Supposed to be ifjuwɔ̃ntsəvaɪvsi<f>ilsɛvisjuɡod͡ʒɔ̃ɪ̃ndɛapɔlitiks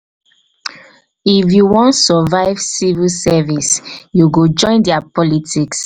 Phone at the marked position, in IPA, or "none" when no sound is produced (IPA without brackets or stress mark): v